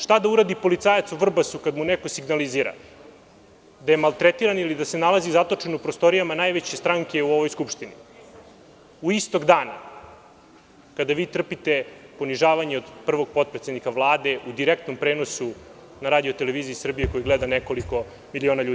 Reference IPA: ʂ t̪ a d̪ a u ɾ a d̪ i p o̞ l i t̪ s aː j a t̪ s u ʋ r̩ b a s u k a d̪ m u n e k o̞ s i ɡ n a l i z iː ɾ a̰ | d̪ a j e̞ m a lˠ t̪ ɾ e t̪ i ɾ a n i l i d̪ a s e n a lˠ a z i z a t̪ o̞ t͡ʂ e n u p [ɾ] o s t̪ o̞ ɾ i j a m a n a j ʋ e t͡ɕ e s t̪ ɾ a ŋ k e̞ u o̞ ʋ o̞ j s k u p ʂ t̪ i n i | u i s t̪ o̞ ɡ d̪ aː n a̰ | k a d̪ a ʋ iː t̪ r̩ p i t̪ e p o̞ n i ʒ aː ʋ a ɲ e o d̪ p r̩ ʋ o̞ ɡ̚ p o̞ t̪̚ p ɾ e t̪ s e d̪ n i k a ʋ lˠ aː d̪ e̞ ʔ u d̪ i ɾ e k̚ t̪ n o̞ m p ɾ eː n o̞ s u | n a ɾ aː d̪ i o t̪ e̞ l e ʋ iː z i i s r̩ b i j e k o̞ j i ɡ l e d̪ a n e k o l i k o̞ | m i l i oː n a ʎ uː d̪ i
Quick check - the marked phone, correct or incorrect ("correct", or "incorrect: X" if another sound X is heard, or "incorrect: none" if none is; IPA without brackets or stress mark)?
correct